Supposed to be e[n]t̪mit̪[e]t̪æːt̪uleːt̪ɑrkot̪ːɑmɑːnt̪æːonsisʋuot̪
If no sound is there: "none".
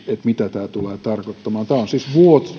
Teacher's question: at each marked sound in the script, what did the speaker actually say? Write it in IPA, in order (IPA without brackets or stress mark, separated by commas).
none, æ